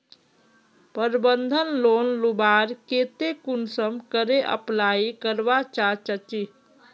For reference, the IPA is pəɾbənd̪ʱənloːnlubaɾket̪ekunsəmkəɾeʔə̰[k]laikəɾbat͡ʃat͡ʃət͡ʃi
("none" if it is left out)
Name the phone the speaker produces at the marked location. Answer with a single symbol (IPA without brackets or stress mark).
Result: p